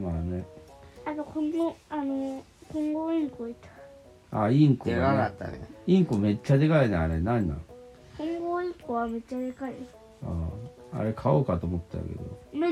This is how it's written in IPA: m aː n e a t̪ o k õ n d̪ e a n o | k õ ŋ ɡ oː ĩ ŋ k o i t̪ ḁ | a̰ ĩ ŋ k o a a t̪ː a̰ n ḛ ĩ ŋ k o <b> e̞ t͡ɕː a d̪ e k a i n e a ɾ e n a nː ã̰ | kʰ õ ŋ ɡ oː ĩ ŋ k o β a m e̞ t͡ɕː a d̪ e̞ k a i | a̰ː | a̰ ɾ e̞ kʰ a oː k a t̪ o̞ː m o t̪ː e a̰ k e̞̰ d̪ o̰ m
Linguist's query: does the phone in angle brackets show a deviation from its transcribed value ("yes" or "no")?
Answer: yes